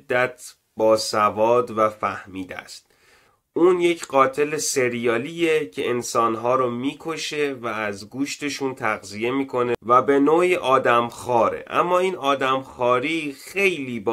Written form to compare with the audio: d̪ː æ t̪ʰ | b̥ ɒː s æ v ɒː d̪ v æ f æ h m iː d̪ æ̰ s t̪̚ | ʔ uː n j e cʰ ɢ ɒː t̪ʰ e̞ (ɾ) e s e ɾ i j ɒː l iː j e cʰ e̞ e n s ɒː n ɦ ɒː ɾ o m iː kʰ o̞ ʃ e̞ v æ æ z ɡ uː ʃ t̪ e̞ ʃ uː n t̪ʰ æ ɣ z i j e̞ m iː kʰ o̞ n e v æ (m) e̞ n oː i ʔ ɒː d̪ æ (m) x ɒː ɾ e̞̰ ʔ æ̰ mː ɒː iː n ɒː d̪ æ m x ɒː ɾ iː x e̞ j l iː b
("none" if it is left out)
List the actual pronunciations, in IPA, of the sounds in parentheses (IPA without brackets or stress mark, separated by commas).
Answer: l, b, m